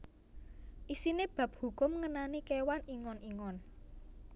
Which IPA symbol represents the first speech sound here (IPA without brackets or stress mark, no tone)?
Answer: ʔ